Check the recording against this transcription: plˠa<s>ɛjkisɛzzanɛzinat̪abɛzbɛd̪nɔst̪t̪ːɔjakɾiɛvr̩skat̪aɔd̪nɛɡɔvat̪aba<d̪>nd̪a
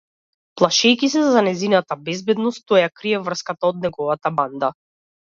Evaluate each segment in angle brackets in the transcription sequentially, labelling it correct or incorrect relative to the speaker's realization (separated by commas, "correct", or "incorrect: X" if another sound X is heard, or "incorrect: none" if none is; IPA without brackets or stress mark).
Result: incorrect: ʃ, incorrect: none